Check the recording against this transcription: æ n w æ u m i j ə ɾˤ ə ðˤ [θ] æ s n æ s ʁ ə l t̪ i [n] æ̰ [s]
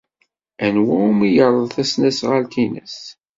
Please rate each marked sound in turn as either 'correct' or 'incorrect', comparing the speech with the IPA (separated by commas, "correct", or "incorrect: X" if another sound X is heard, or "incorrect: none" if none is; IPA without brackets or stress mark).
correct, correct, correct